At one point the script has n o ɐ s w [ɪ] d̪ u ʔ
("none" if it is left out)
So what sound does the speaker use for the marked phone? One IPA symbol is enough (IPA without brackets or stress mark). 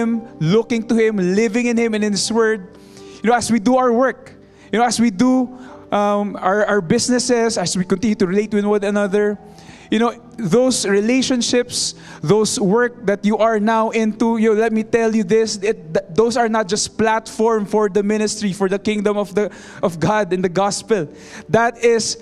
i